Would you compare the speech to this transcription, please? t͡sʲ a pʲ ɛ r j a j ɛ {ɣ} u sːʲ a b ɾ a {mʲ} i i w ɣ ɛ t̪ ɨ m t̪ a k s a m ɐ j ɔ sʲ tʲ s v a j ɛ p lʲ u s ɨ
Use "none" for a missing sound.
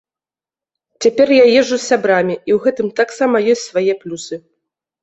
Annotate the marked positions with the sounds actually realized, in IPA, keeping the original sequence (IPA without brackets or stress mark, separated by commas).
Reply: ʐ, mʲ